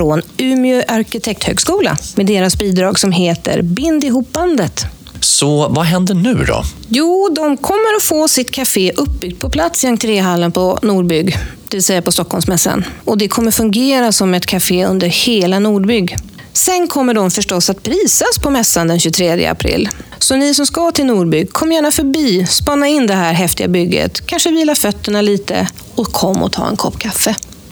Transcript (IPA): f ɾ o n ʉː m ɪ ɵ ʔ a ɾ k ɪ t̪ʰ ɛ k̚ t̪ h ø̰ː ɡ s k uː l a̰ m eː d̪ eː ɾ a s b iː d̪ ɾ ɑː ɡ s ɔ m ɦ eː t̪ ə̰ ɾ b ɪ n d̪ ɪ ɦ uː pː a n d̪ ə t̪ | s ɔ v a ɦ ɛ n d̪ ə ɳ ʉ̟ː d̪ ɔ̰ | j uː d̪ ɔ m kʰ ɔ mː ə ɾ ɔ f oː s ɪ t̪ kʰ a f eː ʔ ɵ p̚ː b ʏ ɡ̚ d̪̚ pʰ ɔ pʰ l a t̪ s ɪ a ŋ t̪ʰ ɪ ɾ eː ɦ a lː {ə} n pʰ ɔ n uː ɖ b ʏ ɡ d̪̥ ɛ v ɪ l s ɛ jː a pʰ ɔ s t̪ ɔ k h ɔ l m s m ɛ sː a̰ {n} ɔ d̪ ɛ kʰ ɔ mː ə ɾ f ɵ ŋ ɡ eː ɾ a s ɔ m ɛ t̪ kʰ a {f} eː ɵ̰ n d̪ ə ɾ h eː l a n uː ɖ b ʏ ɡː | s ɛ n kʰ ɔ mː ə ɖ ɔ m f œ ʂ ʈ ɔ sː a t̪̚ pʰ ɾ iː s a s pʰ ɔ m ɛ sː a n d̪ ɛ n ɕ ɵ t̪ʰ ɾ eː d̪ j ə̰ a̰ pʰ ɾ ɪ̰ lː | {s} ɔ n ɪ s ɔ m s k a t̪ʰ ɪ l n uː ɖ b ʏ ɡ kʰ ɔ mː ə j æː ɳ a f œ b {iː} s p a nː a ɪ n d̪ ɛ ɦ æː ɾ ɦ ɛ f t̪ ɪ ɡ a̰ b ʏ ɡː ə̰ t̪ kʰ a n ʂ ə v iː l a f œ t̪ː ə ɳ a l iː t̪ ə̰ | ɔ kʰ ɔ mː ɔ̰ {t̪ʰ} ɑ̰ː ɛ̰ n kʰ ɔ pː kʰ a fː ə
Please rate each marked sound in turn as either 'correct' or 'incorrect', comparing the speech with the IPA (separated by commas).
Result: correct, correct, correct, correct, correct, correct